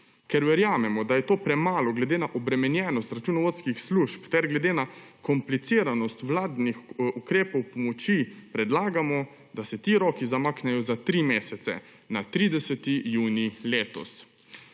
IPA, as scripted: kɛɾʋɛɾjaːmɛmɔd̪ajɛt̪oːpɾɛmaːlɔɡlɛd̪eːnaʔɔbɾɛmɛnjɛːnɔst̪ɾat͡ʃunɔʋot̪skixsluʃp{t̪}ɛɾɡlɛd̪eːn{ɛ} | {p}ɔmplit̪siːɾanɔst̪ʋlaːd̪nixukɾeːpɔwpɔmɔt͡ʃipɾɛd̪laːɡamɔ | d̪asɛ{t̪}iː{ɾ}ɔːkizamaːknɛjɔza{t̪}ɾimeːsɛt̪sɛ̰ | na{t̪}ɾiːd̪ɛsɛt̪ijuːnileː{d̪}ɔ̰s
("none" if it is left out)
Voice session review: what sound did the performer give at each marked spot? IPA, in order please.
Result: t̪, a, k, t̪, ɾ, t̪, t̪, t̪

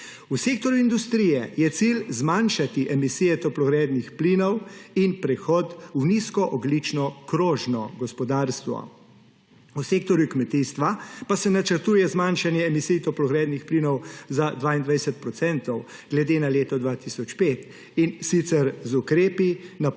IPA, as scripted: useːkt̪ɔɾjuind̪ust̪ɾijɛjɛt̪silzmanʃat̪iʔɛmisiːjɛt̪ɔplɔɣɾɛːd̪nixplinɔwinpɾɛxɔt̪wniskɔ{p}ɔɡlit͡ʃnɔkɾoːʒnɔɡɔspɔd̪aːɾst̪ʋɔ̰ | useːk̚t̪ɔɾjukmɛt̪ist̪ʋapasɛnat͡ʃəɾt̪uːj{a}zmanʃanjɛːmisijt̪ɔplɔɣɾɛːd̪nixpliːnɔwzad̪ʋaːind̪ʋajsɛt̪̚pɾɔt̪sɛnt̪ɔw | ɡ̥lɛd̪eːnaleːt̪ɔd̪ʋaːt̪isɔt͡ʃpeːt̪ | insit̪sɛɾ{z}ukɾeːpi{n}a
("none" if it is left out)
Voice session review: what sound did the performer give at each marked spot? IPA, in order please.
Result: ʔ, ɛ, z, n

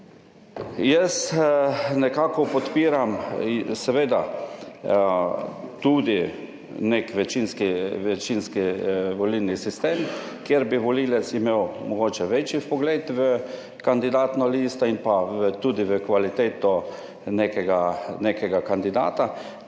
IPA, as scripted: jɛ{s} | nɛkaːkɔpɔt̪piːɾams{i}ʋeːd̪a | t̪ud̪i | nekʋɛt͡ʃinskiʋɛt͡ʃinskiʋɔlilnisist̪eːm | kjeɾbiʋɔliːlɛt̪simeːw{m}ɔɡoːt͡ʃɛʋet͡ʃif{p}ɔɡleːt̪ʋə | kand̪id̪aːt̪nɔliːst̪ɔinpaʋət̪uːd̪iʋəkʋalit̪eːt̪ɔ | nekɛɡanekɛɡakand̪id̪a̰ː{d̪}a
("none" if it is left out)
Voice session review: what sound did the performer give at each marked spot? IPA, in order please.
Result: s, ɛ, m, p, t̪

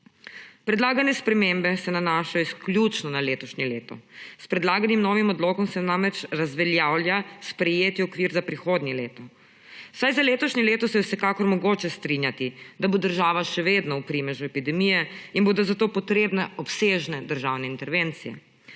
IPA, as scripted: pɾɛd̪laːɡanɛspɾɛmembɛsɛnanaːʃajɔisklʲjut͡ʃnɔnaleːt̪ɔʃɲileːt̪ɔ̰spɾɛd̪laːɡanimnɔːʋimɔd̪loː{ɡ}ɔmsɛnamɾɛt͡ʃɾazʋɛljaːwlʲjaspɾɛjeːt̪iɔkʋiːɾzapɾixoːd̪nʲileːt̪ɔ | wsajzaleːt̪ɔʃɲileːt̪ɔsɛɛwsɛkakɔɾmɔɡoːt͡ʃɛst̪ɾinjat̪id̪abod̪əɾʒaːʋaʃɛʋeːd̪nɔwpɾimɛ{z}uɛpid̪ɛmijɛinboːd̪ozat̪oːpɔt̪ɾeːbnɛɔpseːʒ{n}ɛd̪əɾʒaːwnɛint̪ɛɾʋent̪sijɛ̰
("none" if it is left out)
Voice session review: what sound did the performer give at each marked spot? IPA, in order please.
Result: k, ʒ, n

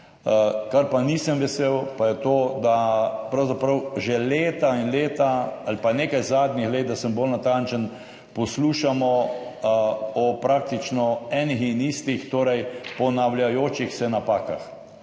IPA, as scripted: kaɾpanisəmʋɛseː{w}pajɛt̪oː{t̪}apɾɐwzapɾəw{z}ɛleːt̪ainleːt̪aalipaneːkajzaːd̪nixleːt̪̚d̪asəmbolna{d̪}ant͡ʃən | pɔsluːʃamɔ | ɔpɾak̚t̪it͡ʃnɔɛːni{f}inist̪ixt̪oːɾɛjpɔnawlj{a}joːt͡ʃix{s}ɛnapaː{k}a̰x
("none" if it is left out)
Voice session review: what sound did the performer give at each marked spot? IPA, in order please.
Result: w, d̪, ʒ, t̪, x, a, s, k

